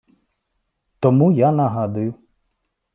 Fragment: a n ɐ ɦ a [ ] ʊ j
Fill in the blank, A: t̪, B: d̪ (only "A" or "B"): B